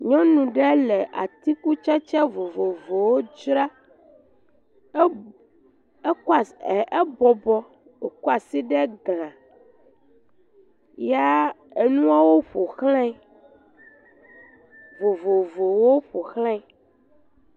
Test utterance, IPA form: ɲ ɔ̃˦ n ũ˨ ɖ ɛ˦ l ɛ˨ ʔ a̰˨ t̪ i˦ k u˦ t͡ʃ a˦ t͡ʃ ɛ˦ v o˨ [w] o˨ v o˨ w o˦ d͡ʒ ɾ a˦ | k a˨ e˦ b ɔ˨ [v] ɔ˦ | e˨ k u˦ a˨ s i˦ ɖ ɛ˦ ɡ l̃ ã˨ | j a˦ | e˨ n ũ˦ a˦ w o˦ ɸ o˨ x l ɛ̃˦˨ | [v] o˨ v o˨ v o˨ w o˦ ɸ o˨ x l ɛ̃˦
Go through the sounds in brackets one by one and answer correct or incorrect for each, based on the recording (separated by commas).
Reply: incorrect, incorrect, correct